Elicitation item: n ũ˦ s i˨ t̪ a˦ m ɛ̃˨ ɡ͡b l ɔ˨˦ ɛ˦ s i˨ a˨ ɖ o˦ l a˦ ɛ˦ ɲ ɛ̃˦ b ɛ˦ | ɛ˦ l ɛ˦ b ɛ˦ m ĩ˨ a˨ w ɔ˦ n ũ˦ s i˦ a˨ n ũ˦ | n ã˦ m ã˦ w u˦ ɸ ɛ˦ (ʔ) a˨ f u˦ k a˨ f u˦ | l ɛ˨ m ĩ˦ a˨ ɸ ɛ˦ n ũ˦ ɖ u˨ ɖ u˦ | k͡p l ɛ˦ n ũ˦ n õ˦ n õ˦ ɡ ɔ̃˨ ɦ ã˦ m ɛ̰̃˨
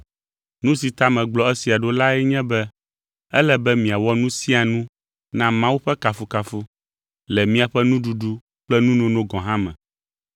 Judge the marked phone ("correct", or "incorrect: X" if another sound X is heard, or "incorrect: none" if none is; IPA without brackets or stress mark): incorrect: k